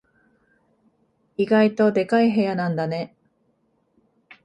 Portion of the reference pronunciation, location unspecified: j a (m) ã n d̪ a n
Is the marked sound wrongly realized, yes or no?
yes